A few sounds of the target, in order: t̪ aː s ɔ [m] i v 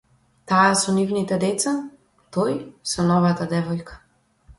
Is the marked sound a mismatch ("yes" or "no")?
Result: yes